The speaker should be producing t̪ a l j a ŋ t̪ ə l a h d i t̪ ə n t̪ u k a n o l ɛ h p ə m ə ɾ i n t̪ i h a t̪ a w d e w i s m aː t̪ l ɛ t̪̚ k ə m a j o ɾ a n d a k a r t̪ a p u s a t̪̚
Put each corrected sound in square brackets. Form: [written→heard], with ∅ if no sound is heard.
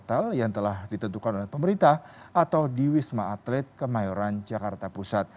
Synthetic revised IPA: t̪ a l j a ŋ t̪ ə l a h d i t̪ ə n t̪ u k a n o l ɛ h p ə m ə ɾ i n t̪ [i→a] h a t̪ a w d [e→i] w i s m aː t̪ l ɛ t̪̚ k ə m a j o ɾ a n [d→d͡ʒ] a k a r t̪ a p u s a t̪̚